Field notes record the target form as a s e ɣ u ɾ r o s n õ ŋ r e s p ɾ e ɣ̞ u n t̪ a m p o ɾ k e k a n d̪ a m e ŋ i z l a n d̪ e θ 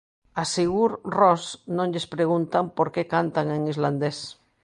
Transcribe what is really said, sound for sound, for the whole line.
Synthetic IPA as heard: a s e ɣ u ɾ r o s n õ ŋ ʎ e s p ɾ e ɣ̞ u n t̪ a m p o ɾ k e k a n t̪ a ŋ e ŋ i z l a n d̪ e s